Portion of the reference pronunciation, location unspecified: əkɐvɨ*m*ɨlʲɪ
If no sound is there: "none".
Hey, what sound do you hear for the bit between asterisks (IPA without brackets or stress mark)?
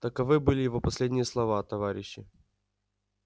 b